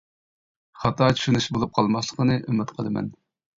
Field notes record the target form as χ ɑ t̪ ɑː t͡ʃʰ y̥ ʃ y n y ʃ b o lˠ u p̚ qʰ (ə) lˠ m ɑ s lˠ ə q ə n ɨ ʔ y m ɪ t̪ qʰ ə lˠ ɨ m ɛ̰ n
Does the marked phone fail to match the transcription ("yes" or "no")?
yes